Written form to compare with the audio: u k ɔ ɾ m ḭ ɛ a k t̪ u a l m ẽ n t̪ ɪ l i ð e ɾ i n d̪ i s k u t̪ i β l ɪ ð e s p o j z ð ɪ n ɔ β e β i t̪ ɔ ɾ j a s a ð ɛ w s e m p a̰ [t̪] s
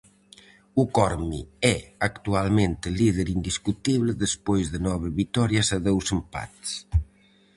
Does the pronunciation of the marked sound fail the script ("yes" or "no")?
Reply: no